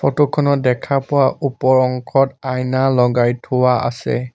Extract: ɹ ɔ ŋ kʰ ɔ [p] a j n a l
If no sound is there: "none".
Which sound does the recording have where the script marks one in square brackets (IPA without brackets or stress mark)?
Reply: t